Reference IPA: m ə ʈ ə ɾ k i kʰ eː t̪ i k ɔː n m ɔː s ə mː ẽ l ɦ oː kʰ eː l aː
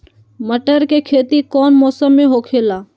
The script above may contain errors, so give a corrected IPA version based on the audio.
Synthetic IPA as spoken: m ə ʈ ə ɾ k e kʰ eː t̪ i k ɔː n m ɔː s ə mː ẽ ɦ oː kʰ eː l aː

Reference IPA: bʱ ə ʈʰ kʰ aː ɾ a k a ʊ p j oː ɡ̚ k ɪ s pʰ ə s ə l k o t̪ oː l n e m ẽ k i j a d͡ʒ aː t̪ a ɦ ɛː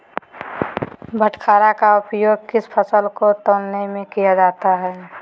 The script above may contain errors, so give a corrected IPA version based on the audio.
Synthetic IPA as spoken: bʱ ə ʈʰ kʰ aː ɾ a k a ʊ p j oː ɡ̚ k ɪ s pʰ ə s ə l k o t̪ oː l n e m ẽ k i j a d͡ʒ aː t̪ a ɦ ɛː

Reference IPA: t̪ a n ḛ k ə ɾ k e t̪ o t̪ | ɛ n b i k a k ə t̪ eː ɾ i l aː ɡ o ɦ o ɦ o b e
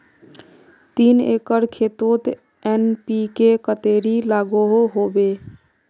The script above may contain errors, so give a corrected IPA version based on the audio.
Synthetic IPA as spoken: t̪ i n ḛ k ə ɾ kʰ e t̪ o t̪ | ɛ n p i k e k ə t̪ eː ɾ i l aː ɡ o ɦ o ɦ o b e

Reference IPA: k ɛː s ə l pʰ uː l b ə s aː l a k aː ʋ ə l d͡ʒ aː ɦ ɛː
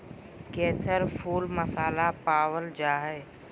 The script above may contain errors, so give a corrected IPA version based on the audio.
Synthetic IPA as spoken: k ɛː s ə ɾ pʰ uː l m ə s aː l a p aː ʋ ə l d͡ʒ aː ɦ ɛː

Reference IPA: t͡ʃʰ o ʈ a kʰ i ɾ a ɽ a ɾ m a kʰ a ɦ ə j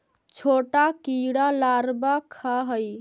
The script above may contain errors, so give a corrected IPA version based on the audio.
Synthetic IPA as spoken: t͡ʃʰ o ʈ a k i ɽ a l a ɾ b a kʰ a ɦ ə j

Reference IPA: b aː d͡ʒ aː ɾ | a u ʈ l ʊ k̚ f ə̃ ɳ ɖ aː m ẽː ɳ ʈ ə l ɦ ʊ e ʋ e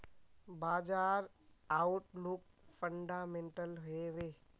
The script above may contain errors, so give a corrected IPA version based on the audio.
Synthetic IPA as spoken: b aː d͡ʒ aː ɾ | a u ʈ l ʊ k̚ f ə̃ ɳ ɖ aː m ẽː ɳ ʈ ə l ɦ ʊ e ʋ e

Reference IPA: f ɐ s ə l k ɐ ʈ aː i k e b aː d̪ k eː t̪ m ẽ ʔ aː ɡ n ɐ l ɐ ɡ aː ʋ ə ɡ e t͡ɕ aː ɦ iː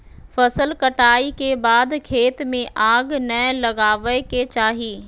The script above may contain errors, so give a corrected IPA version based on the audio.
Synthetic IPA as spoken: f ɐ s ə l k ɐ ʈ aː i k e b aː d̪ kʰ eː t̪ m ẽ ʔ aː ɡ n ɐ l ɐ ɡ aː ʋ ə k e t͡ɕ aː ɦ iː

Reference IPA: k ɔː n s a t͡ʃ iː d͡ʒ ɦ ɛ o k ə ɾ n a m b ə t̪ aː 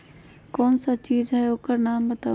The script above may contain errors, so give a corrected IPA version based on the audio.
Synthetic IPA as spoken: k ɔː n s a t͡ʃ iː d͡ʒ ɦ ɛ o k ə ɾ n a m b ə t̪ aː

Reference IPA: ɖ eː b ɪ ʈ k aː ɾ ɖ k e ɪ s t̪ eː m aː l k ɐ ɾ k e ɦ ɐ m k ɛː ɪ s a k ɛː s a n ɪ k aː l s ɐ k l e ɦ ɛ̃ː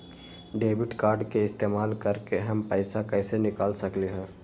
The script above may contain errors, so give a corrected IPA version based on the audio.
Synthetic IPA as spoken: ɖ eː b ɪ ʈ k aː ɾ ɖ k e ɪ s t̪ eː m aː l k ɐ ɾ k e ɦ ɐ m p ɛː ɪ s a k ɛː s e n ɪ k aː l s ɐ k l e ɦ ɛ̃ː

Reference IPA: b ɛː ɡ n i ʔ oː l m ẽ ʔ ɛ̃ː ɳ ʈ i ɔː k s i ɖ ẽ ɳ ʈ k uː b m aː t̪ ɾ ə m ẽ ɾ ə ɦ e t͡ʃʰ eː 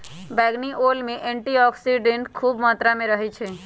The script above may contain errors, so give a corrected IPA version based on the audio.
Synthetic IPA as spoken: b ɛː ɡ n i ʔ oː l m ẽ ʔ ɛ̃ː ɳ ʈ i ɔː k s i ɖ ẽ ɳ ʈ kʰ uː b m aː t̪ ɾ a m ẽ ɾ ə ɦ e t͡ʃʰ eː

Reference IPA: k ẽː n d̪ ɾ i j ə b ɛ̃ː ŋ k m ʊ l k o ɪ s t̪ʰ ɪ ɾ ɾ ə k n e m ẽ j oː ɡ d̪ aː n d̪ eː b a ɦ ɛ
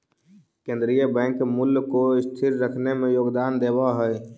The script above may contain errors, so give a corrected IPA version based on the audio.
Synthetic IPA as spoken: k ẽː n d̪ ɾ i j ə b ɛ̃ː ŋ k m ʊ l k o ɪ s t̪ʰ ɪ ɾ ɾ ə kʰ n e m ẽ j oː ɡ d̪ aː n d̪ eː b a ɦ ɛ

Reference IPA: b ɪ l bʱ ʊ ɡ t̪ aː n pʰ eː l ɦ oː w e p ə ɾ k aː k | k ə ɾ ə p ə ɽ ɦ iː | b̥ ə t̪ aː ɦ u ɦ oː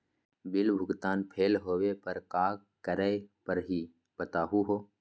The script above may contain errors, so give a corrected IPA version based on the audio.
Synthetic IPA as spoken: b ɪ l bʱ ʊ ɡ t̪ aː n pʰ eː l ɦ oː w e p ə ɾ k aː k | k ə ɾ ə p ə ɾ ɦ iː | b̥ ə t̪ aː ɦ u ɦ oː

